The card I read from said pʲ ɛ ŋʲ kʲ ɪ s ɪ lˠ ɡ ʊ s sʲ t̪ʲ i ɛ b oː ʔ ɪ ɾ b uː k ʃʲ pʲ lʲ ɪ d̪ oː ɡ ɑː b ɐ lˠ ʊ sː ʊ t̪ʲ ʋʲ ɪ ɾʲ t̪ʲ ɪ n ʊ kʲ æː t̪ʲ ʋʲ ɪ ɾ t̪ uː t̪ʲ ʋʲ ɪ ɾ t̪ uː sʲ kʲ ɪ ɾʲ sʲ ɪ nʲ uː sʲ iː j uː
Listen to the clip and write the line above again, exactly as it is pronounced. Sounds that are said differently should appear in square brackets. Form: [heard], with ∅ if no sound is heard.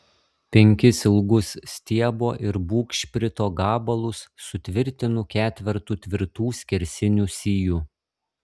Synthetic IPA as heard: pʲ ɛ ŋʲ kʲ ɪ s ɪ lˠ ɡ ʊ s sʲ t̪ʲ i ɛ b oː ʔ ɪ ɾ b uː k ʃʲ pʲ [ɾʲ] ɪ [t̪] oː ɡ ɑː b ɐ lˠ ʊ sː ʊ t̪ʲ ʋʲ ɪ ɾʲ t̪ʲ ɪ n ʊ kʲ æː t̪ʲ ʋʲ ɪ ɾ t̪ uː t̪ʲ ʋʲ ɪ ɾ t̪ uː sʲ kʲ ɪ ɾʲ sʲ ɪ nʲ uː sʲ iː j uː